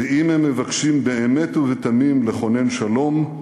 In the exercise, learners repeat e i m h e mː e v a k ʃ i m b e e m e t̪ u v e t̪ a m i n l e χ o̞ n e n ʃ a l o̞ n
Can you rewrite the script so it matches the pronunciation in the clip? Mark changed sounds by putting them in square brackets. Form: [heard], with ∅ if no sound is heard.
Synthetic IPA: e i m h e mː e v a k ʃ i m b e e m e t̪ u v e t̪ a m i [m] l e χ o̞ n e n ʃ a l o̞ [m]